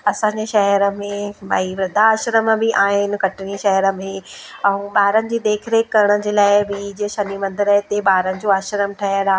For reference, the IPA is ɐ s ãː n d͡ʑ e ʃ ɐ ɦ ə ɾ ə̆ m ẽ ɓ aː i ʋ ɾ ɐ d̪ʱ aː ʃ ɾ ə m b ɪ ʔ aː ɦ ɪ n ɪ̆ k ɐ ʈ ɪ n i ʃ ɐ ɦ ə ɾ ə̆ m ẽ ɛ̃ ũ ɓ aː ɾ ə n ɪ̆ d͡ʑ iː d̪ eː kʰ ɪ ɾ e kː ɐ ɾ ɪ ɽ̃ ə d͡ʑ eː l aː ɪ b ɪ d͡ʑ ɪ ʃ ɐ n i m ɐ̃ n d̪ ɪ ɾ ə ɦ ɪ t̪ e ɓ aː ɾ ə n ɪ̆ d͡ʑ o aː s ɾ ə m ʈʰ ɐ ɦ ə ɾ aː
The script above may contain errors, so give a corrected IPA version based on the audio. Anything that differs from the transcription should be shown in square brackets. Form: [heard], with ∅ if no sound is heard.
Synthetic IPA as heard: ɐ s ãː [ɲ] d͡ʑ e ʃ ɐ ɦ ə ɾ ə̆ m ẽ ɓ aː i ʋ ɾ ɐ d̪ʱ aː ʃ ɾ ə m b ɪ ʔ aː ɦ ɪ n ɪ̆ k ɐ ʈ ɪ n i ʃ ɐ ɦ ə ɾ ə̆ m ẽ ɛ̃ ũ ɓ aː ɾ ə n ɪ̆ d͡ʑ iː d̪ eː kʰ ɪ ɾ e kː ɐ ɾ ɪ ɽ̃ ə d͡ʑ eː l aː ɪ b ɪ d͡ʑ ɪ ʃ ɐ n i m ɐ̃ n d̪ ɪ ɾ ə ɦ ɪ t̪ e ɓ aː ɾ ə n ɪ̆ d͡ʑ o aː [ʃ] ɾ ə m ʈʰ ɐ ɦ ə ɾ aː